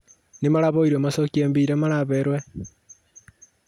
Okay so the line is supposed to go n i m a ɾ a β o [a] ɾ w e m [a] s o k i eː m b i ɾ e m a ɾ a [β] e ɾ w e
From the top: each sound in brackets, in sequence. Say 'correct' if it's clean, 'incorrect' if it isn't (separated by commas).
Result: incorrect, correct, correct